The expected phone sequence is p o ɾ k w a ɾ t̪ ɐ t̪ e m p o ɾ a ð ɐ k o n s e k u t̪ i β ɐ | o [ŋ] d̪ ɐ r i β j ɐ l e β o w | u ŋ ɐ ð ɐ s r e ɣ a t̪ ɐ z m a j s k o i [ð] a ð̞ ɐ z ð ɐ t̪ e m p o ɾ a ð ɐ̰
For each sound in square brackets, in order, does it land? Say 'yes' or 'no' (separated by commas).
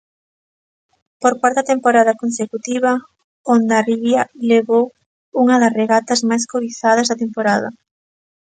no, no